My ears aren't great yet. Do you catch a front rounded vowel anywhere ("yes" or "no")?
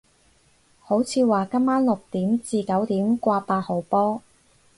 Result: no